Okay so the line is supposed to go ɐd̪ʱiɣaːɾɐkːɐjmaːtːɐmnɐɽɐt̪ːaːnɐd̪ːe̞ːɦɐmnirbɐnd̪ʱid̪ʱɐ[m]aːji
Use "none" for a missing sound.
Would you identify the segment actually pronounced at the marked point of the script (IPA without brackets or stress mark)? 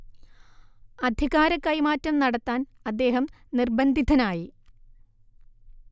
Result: n